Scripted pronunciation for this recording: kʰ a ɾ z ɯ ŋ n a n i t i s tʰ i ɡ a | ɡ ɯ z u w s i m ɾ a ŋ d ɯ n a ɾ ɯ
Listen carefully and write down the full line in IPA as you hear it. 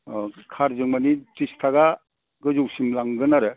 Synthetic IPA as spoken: kʰ a ɾ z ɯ ŋ m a n i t i s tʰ a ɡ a | ɡ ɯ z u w s i m l a ŋ ɡ ɯ n a ɾ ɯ